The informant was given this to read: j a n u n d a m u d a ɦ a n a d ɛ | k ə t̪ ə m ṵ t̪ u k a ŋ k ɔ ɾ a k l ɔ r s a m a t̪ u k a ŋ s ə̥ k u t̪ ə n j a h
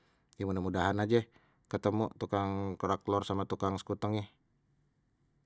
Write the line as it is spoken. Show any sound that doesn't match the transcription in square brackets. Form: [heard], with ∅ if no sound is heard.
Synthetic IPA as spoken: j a [m] u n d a m u d a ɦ a n a [d͡ʒ] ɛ | k ə t̪ ə m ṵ t̪ u k a ŋ k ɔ ɾ a k l ɔ r s a m a t̪ u k a ŋ s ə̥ k u t̪ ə [ŋ] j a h